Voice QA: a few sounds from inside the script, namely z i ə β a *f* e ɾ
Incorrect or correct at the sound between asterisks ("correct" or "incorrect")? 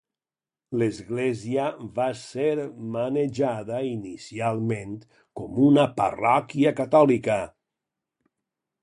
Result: incorrect